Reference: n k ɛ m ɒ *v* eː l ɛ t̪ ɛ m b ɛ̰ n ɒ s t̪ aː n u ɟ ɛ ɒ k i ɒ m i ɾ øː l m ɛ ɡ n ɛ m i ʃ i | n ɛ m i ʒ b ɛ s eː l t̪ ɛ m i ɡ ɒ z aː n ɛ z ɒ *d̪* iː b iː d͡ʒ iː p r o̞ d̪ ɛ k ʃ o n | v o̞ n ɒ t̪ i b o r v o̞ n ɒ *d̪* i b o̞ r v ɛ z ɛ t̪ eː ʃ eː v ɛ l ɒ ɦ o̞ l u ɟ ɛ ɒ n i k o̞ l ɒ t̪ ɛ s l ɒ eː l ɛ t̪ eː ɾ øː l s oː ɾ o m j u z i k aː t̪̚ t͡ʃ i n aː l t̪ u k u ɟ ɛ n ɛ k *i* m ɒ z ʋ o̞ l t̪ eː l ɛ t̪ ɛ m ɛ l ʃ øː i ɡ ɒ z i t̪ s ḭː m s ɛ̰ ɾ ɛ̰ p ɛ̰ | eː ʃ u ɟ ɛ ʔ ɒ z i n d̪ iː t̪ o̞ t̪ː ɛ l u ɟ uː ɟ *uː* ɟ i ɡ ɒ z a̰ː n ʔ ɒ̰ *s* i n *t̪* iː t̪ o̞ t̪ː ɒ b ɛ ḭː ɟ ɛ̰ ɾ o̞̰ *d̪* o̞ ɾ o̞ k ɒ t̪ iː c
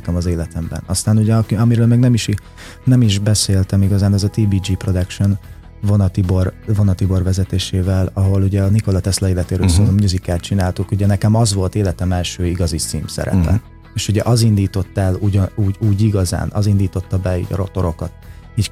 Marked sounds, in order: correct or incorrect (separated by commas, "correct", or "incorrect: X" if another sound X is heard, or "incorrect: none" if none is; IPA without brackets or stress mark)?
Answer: incorrect: z, incorrect: t̪, incorrect: t̪, incorrect: ɛ, correct, incorrect: z, incorrect: d̪, incorrect: t̪